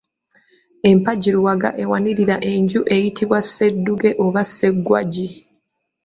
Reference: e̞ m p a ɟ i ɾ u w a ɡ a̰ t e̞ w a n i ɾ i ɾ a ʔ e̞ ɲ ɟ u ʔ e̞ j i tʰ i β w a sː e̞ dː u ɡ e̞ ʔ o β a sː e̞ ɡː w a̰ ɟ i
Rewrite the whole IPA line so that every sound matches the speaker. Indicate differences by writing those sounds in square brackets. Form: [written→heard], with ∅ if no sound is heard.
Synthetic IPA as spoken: e̞ m p a ɟ i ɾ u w a ɡ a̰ [t→ʔ] e̞ w a n i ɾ i ɾ a ʔ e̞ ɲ ɟ u ʔ e̞ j i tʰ i β w a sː e̞ dː u ɡ e̞ ʔ o β a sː e̞ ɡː w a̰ ɟ i